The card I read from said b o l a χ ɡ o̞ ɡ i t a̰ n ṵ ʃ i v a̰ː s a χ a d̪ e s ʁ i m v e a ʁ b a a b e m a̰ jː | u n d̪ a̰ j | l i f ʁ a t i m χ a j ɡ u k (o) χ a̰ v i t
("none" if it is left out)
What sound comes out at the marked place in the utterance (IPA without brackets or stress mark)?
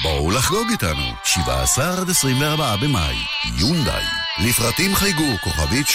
o